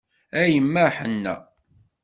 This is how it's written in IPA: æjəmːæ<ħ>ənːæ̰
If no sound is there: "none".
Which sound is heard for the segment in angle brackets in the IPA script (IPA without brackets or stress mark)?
ħ